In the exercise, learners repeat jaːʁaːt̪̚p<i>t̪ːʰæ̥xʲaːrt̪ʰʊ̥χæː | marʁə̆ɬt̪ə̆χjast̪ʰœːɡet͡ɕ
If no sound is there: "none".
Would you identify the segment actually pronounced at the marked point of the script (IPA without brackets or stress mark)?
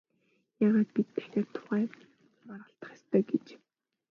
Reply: i